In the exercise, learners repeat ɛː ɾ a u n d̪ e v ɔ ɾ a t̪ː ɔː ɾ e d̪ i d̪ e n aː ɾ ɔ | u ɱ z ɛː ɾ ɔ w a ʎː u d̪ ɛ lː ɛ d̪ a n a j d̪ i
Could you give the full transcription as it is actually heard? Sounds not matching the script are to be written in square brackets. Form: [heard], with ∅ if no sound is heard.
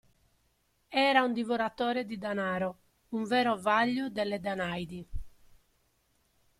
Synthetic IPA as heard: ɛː ɾ a u n d̪ [i] v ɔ ɾ a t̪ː ɔː ɾ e d̪ i d̪ [a] n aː ɾ ɔ | u ɱ [v] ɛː ɾ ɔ [v] a ʎː u d̪ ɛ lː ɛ d̪ a n a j d̪ i

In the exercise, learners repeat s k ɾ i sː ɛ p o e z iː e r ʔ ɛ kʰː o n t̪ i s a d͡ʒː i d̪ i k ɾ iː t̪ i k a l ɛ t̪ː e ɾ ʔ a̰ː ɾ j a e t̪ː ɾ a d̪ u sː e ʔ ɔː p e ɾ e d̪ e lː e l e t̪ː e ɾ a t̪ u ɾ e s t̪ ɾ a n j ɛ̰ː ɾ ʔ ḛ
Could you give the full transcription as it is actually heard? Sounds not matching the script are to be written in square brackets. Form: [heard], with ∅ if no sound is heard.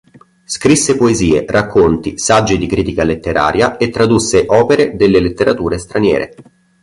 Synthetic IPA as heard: s k ɾ i sː [e] p o e z iː e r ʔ [a] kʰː o n t̪ i s a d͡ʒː i d̪ i k ɾ iː t̪ i k a l [e] t̪ː e ɾ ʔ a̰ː ɾ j a e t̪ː ɾ a d̪ u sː e ʔ ɔː p e ɾ e d̪ e lː e l e t̪ː e ɾ a t̪ [uː] ɾ e s t̪ ɾ a n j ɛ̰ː ɾ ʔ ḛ

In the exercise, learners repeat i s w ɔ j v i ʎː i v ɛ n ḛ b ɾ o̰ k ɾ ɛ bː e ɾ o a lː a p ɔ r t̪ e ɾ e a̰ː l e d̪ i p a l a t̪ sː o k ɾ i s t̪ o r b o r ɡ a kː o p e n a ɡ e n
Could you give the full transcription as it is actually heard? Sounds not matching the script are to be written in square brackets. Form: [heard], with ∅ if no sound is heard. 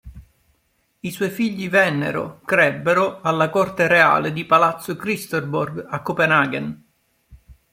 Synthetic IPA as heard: i s w ɔ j [f] i ʎː i v ɛ [nː] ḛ [∅] ɾ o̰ k ɾ ɛ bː e ɾ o a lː a [k] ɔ r t̪ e ɾ e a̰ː l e d̪ i p a l a t̪ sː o k ɾ i s t̪ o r b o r ɡ a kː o p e n a ɡ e n

